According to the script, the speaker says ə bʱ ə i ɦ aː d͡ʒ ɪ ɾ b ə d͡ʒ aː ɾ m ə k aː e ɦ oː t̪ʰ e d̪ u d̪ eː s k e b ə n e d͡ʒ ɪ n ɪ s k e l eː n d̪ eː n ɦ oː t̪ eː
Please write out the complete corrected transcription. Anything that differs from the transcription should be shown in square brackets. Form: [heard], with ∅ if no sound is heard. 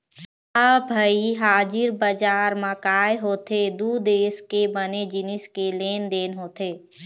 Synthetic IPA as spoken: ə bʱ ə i ɦ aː d͡ʒ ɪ ɾ b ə d͡ʒ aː ɾ m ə k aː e ɦ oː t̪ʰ e d̪ u d̪ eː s k e b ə n e d͡ʒ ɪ n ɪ s k e l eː n d̪ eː n ɦ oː t̪ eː